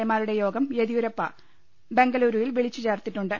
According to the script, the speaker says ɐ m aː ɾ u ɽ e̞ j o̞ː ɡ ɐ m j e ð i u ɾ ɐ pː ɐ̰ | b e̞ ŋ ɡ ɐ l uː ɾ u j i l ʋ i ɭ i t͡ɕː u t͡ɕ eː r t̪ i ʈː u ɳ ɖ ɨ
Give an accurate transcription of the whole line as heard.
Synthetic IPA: ɐ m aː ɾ u ɽ e̞ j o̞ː ɡ ɐ m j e ð i u ɾ ɐ pː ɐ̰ | b e̞ ŋ ɡ ɐ l uː ɾ u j i l ʋ i ɭ i t͡ɕː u t͡ɕ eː r t̪ i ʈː u ɳ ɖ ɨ